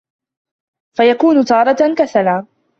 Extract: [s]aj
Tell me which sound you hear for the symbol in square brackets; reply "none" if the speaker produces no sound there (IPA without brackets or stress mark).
f